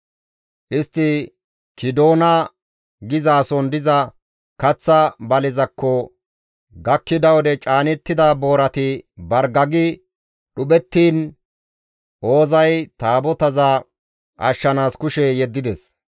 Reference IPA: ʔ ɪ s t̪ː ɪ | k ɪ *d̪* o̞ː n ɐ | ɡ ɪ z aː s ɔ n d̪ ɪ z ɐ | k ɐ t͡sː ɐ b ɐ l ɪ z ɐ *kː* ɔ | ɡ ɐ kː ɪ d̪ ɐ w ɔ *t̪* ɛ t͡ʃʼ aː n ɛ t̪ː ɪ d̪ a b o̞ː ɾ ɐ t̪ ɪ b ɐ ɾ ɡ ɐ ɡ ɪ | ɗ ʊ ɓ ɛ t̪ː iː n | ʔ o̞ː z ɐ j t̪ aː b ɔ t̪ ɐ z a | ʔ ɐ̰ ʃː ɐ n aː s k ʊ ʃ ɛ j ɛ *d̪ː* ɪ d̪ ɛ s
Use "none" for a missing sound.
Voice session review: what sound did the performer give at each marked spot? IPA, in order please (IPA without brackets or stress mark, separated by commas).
d̪, kː, d̪, d̪ː